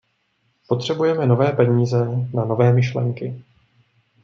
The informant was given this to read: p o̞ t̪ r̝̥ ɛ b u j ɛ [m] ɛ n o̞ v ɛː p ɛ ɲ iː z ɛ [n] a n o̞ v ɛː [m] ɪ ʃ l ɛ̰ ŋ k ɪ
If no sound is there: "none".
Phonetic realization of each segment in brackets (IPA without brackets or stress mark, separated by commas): m, n, m